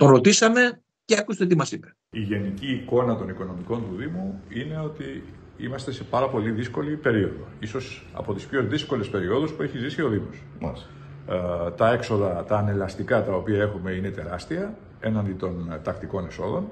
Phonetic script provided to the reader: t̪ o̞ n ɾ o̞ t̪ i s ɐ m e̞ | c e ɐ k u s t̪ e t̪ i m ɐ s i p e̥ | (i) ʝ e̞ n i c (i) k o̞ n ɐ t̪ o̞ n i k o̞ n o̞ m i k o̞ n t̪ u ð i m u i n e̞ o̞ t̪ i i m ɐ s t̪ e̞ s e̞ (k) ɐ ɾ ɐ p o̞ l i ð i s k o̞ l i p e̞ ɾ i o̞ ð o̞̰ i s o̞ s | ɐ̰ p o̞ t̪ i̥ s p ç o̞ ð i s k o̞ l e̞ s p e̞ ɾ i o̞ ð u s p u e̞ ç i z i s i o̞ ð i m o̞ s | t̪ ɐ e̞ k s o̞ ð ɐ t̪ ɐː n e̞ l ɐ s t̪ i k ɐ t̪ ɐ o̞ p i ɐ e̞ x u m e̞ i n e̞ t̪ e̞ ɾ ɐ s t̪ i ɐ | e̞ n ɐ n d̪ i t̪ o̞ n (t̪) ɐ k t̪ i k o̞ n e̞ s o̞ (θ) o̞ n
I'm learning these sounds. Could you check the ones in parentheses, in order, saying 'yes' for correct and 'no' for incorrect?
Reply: yes, no, no, yes, no

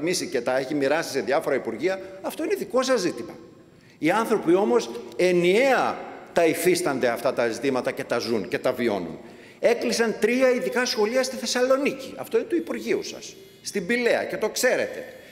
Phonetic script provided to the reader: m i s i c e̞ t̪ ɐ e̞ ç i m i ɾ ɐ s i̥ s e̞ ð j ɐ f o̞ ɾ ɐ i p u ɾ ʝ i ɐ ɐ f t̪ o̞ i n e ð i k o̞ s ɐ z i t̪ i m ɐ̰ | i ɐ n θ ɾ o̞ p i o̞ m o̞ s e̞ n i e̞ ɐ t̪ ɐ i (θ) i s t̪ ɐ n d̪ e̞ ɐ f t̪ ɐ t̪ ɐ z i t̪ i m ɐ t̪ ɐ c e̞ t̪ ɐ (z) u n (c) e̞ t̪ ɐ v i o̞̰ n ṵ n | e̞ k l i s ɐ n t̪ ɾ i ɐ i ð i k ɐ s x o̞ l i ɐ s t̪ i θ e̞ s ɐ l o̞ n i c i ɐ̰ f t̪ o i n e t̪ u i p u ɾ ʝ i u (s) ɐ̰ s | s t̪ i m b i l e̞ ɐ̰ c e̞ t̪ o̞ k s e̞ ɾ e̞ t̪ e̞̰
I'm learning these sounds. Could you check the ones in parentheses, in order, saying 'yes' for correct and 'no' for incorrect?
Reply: no, yes, yes, yes

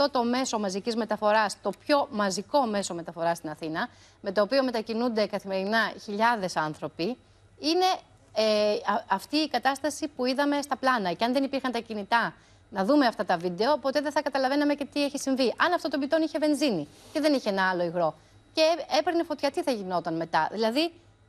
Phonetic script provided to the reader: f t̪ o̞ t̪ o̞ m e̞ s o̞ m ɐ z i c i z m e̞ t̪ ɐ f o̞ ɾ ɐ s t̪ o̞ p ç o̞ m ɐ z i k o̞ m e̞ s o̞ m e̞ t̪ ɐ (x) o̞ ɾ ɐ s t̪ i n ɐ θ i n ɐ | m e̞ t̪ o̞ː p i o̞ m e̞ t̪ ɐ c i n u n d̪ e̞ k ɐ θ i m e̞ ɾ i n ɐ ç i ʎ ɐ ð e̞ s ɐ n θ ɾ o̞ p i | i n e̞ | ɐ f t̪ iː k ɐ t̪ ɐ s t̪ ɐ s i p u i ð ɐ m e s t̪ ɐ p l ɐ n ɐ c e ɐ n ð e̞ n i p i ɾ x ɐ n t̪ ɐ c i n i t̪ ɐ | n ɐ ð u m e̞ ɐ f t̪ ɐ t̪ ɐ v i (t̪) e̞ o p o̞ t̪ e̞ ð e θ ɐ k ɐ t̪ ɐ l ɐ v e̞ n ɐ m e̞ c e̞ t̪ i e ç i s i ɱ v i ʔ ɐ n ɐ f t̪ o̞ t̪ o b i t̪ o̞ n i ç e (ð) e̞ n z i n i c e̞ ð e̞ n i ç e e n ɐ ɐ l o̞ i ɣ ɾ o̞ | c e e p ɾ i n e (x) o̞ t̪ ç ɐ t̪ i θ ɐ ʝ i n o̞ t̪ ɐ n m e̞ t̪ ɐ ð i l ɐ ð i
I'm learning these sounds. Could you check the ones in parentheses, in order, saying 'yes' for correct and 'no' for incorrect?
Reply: no, no, no, no

